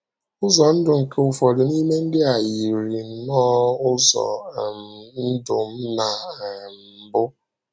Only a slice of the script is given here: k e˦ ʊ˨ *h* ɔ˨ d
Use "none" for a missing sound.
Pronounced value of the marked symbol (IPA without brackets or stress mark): f